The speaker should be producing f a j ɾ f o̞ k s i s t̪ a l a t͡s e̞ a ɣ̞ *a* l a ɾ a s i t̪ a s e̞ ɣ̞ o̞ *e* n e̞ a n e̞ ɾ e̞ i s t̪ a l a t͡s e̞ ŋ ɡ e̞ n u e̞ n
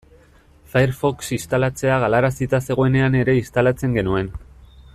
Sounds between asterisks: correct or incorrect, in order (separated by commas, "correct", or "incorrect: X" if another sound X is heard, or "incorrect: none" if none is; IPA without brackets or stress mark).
correct, correct